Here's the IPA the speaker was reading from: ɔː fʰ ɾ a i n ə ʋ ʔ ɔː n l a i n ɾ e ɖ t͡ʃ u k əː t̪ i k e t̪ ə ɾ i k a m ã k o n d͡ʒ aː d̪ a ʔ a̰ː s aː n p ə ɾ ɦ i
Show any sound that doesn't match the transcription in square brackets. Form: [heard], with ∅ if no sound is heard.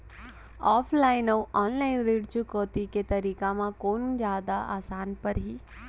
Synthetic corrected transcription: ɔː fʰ [l] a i n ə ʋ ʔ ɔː n l a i n ɾ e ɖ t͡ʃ u k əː t̪ i k e t̪ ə ɾ i k a m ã k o n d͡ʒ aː d̪ a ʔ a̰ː s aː n p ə ɾ ɦ i